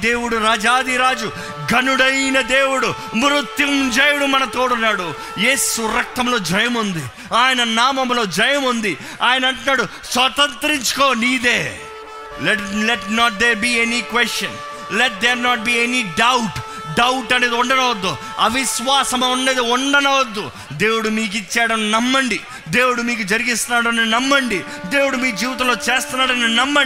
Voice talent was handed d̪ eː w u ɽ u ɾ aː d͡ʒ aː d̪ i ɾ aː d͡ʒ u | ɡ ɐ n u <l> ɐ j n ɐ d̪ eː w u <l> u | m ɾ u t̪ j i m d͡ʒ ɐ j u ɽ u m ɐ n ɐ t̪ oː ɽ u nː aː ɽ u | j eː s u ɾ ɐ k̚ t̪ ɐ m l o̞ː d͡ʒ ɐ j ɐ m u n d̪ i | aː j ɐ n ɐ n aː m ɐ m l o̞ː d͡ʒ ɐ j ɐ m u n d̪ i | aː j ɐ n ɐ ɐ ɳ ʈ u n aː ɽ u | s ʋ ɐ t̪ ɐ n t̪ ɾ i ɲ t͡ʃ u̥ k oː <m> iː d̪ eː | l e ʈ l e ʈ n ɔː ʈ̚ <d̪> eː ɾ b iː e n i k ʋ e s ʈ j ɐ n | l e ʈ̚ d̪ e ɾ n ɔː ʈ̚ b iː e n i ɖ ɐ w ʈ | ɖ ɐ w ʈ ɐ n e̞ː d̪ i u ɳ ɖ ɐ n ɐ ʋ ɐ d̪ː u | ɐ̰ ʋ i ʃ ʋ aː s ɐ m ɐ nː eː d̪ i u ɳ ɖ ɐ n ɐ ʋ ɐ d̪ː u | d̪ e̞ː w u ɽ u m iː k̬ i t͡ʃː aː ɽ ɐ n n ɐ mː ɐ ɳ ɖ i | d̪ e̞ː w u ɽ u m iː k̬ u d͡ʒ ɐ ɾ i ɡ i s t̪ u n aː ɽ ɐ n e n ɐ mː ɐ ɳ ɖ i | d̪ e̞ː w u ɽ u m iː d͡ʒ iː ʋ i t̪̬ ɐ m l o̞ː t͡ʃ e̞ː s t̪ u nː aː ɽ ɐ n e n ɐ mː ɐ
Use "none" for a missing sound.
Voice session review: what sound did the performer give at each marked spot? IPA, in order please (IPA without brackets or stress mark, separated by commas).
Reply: ɽ, ɽ, n, d̪